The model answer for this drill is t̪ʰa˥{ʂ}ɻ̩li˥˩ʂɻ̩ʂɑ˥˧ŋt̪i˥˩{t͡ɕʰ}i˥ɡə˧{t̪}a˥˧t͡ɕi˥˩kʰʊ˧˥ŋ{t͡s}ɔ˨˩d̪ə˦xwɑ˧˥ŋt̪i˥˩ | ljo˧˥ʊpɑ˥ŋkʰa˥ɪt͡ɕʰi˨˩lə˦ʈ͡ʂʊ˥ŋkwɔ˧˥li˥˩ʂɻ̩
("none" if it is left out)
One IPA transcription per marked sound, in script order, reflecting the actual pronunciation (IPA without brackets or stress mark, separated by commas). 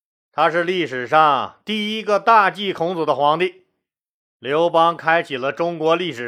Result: ʂ, none, t̪, t͡s